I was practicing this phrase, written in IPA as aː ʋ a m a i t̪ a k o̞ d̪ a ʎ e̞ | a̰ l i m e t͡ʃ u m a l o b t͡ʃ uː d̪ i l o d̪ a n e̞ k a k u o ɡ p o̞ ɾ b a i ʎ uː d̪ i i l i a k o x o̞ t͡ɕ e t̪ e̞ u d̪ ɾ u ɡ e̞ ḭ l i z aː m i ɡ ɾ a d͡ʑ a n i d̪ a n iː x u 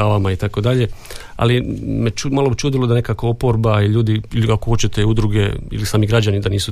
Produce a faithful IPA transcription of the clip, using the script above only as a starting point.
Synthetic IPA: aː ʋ a m a i t̪ a k o̞ d̪ a ʎ e̞ | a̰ l i m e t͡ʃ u m a l o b t͡ʃ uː d̪ i l o d̪ a n e̞ k a k o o p o̞ ɾ b a i ʎ uː d̪ i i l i a k o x o̞ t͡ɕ e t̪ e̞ u d̪ ɾ u ɡ e̞ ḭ l i s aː m i ɡ ɾ a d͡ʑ a n i d̪ a n iː s u